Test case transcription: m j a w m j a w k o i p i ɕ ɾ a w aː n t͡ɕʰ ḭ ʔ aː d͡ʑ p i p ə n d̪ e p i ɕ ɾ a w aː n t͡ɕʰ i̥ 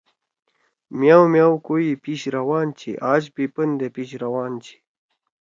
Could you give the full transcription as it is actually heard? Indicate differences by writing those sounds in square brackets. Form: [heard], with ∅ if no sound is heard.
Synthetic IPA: m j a w m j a w k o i p i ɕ ɾ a w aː n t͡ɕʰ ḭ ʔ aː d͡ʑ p i p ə n d̪ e p i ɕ ɾ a w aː n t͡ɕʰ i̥